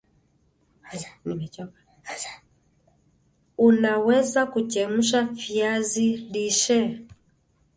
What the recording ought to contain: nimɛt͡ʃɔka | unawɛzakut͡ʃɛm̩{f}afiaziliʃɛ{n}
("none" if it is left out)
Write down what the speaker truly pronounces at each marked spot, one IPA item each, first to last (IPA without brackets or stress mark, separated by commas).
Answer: ʃ, none